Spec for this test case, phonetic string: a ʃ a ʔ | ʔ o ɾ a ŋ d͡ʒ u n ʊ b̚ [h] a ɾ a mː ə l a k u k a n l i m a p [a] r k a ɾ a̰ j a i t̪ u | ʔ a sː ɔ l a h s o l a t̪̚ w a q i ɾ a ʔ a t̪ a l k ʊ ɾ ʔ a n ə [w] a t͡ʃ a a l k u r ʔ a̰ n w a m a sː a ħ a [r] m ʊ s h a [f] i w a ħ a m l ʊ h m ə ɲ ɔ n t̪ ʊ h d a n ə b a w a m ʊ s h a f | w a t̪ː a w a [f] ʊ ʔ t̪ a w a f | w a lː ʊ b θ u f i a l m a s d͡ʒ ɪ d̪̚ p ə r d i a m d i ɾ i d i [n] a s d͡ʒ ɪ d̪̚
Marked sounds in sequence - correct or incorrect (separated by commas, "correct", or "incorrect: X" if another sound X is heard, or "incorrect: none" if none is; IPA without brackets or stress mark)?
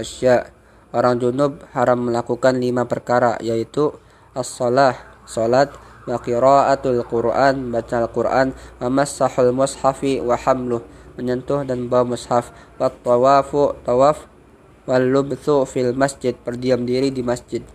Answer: correct, incorrect: ə, incorrect: b, incorrect: l, correct, correct, incorrect: m